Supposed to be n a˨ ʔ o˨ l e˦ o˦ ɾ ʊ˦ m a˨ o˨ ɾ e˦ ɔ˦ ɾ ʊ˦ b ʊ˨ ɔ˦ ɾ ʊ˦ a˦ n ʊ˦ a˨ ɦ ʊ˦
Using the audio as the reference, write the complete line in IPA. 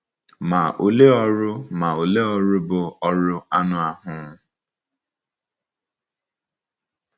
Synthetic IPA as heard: m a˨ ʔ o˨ l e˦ ɔ˦ ɾ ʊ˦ m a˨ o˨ l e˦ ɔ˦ ɾ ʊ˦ b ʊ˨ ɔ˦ ɾ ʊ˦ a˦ n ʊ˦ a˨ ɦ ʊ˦